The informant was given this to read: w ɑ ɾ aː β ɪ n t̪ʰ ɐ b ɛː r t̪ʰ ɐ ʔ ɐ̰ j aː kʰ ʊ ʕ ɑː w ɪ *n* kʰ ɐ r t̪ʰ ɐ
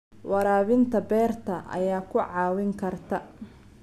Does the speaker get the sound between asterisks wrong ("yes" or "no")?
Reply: yes